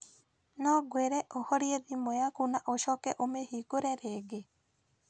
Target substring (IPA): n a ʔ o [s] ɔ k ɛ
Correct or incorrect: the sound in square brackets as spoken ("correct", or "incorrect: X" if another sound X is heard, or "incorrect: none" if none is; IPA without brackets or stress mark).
incorrect: ʃ